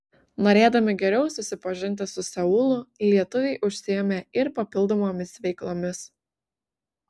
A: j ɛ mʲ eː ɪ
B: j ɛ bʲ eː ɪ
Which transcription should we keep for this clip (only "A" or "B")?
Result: A